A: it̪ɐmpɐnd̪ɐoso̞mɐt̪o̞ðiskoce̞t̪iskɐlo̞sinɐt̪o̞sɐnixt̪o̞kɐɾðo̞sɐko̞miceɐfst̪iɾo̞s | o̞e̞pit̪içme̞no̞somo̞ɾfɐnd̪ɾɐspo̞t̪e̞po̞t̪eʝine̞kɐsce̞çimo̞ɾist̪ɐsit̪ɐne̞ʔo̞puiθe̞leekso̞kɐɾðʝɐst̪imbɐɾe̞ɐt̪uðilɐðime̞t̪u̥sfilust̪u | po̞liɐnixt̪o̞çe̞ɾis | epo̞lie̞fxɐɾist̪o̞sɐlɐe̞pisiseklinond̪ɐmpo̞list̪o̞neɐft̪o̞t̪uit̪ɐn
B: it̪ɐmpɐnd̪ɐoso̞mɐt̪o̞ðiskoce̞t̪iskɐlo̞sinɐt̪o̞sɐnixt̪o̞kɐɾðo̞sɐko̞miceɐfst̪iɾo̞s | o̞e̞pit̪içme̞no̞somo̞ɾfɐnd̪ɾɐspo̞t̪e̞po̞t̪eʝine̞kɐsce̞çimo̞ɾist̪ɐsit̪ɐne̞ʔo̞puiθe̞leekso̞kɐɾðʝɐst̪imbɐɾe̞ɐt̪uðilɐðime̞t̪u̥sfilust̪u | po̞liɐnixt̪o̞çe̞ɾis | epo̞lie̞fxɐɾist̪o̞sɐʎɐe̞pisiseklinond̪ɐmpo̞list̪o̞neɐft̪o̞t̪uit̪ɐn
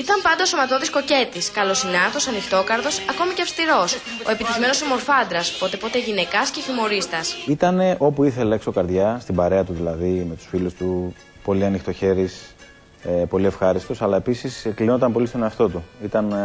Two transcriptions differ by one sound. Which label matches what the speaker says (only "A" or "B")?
A